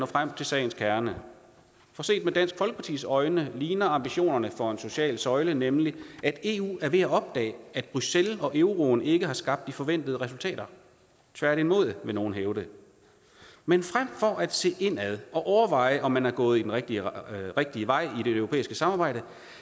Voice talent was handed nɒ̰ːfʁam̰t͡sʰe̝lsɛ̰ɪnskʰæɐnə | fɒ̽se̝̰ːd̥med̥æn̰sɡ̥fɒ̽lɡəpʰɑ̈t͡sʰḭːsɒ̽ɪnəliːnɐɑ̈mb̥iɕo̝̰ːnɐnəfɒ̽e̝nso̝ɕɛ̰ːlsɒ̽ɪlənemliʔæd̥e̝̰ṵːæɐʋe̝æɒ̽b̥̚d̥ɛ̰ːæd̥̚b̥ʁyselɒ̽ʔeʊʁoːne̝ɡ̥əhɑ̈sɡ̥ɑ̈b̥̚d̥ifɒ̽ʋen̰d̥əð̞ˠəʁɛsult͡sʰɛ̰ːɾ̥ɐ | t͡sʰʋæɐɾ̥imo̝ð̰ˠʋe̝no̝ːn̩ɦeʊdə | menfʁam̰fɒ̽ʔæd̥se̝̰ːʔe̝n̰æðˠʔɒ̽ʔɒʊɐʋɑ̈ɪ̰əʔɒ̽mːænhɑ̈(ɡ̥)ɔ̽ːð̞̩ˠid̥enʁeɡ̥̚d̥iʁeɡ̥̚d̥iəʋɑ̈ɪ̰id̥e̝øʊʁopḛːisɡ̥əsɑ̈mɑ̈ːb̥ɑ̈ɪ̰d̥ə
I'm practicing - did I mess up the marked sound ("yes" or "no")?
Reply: no